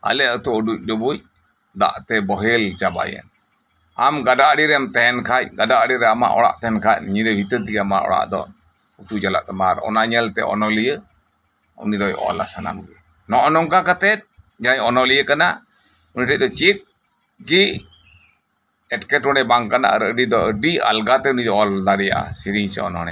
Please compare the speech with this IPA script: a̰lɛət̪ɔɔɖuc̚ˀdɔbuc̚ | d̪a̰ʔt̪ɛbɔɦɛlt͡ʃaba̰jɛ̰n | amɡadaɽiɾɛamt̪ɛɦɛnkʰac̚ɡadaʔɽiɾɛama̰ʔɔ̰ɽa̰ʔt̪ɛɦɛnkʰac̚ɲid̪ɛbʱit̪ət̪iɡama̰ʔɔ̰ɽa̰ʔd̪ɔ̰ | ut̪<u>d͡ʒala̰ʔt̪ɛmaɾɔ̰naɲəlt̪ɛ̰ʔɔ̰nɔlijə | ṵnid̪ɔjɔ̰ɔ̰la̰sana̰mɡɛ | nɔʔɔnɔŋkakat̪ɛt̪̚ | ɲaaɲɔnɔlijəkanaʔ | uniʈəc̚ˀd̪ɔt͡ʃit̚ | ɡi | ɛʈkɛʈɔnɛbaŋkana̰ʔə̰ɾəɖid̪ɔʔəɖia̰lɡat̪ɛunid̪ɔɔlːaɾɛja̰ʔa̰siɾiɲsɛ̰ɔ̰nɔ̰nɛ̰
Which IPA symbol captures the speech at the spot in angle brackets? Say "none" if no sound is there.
u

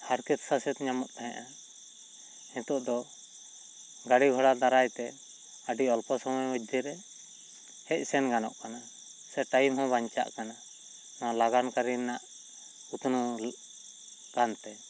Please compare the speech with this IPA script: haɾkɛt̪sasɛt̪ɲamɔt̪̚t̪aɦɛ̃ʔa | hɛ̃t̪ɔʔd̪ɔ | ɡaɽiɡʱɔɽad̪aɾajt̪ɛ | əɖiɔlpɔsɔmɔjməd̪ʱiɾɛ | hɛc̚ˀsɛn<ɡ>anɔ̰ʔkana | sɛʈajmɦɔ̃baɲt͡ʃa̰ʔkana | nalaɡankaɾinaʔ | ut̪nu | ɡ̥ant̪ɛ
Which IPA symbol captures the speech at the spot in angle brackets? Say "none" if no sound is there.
ɡ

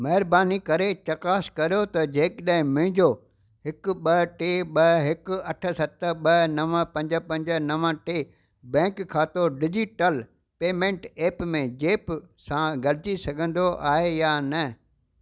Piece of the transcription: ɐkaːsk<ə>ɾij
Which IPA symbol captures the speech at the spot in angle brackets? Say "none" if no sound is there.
ɐ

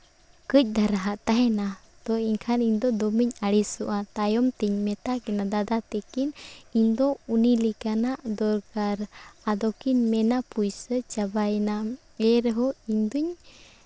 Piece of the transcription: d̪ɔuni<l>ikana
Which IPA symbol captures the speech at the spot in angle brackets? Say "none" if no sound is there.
l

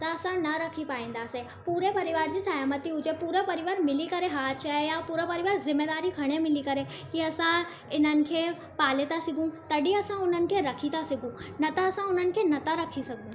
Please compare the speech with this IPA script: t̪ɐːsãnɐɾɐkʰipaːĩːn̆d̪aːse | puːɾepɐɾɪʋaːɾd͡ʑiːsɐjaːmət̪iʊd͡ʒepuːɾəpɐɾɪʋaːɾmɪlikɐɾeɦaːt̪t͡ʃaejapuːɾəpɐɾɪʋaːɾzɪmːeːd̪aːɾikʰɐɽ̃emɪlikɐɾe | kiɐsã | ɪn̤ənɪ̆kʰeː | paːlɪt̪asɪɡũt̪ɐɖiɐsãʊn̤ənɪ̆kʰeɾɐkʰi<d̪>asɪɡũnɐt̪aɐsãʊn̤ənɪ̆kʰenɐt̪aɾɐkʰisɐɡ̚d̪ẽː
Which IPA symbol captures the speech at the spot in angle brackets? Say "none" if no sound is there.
t̪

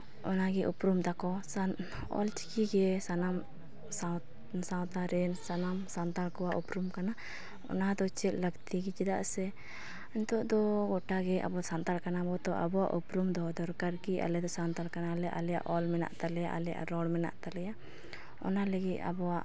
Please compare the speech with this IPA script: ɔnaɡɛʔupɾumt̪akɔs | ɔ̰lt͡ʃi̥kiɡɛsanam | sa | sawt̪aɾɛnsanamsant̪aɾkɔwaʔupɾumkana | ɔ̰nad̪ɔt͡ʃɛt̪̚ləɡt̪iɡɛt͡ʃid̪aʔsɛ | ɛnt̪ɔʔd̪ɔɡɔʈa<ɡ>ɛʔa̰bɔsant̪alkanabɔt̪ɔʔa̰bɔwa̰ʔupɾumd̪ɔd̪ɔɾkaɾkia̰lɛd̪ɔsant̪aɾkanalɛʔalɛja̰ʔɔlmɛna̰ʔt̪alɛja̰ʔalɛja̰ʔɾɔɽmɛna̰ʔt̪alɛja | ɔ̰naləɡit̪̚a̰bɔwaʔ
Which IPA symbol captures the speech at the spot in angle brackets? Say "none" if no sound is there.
ɡ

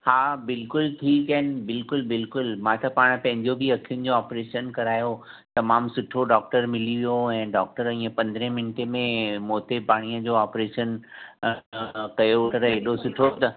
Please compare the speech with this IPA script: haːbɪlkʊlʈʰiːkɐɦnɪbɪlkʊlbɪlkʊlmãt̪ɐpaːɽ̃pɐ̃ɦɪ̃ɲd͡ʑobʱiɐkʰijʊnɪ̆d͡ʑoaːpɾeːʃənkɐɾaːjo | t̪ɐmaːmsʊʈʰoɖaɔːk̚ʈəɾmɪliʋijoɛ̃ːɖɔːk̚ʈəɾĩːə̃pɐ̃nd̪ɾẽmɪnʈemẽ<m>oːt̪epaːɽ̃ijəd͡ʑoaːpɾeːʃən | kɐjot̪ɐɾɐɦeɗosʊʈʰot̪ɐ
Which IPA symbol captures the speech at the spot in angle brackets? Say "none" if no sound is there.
m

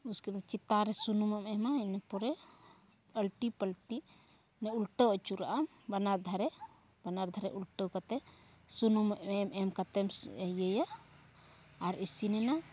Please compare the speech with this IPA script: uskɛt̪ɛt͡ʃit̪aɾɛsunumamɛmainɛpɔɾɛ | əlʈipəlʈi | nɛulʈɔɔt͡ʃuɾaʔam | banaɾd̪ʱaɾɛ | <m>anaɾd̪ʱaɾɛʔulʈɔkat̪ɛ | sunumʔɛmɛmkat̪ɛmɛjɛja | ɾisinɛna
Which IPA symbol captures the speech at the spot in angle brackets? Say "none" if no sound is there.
b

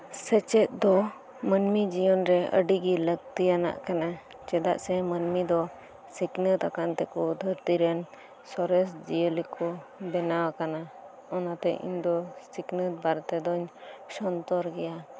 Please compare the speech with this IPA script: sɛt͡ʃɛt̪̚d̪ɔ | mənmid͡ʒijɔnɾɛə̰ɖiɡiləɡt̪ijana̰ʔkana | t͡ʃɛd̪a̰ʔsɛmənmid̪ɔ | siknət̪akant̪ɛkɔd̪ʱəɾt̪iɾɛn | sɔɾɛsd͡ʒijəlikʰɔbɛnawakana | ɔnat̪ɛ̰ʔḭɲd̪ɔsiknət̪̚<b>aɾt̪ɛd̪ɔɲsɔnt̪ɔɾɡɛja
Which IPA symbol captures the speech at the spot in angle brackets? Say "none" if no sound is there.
b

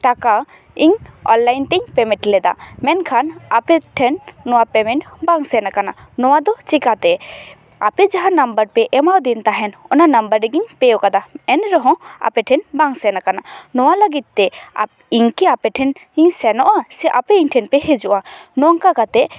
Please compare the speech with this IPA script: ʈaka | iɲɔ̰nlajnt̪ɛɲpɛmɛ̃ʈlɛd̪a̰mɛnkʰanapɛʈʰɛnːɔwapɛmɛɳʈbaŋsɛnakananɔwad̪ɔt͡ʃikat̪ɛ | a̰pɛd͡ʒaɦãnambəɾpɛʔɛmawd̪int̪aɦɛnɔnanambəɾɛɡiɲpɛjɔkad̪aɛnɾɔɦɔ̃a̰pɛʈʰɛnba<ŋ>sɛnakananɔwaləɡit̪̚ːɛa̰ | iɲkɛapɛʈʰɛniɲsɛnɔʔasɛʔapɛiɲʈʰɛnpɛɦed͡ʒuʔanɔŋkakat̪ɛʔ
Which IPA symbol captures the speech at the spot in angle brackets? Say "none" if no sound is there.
ŋ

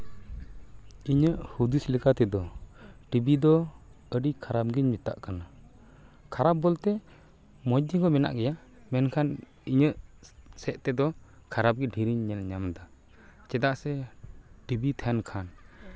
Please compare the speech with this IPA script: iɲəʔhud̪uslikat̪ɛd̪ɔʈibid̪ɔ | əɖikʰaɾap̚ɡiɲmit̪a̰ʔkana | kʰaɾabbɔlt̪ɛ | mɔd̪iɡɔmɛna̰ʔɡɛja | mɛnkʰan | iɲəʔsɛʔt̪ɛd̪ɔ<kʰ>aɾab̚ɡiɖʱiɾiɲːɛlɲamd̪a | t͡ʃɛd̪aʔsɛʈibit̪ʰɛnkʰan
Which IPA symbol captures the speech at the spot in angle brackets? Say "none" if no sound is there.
kʰ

